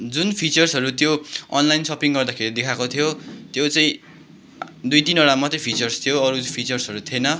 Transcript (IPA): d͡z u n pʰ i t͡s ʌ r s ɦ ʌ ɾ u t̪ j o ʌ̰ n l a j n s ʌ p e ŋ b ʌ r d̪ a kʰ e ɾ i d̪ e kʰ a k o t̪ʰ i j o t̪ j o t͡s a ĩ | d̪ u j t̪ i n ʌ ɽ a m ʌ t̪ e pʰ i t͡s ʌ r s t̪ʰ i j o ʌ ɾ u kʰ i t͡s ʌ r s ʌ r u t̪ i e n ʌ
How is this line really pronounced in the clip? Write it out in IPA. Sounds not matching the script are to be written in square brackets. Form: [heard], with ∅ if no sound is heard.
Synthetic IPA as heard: d͡z u n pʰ i t͡s ʌ r s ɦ ʌ ɾ u t̪ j o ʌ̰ n l a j n s ʌ p [i] ŋ [ɡ] ʌ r d̪ a kʰ e ɾ i d̪ e kʰ a k o t̪ʰ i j o t̪ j o t͡s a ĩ | d̪ u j t̪ i n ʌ ɽ a m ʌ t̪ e pʰ i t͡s ʌ r s t̪ʰ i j o ʌ ɾ u [pʰ] i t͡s ʌ r s ʌ [ɾ] u [t̪ʰ] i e n ʌ